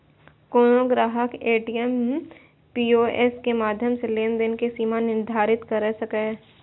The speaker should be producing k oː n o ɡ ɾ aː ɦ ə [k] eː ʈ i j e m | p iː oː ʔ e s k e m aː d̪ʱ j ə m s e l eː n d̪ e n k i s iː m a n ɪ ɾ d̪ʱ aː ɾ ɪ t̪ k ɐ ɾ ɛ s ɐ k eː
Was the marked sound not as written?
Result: no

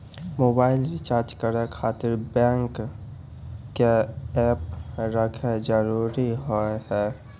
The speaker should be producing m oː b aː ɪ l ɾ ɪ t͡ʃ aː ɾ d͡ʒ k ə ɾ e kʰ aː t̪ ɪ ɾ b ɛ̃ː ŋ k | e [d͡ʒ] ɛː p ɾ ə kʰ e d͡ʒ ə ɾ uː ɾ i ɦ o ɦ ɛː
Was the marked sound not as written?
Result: yes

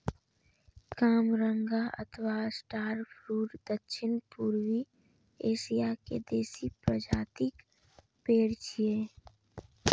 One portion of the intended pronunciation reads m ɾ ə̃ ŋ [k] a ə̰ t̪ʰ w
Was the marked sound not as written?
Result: yes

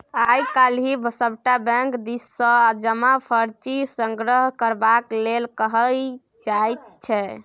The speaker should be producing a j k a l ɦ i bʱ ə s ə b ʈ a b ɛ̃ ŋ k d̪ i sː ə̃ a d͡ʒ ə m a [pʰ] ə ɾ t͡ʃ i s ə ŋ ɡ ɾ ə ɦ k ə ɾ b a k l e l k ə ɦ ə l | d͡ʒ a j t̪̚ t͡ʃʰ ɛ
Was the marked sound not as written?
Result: no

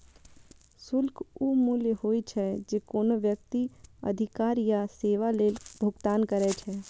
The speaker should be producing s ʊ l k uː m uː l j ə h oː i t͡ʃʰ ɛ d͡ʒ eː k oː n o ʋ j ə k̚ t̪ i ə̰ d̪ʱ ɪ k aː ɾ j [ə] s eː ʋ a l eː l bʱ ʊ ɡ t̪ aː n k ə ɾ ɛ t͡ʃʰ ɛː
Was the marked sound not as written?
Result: yes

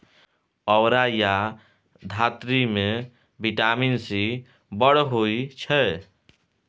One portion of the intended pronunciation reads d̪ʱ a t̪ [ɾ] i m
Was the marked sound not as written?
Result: no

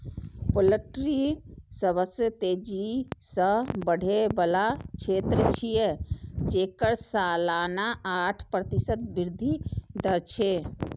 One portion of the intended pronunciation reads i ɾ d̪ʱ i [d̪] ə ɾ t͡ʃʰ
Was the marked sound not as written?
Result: no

